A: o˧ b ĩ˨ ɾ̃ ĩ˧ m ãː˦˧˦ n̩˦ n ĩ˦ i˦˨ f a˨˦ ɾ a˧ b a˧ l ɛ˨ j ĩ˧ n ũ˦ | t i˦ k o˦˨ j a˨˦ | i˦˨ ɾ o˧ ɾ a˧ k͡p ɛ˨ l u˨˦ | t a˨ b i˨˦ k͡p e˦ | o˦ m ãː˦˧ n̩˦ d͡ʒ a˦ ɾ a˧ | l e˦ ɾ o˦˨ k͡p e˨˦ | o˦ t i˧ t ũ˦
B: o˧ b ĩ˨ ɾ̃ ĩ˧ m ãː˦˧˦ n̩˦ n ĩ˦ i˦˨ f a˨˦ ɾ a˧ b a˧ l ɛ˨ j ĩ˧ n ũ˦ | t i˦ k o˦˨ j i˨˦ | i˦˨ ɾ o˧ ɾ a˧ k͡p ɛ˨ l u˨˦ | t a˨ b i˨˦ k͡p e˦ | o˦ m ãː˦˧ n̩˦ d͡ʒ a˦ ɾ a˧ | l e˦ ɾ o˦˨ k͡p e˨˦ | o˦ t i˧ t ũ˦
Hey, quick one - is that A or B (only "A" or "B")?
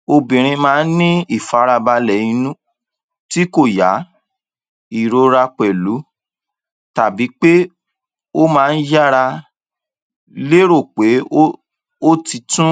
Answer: A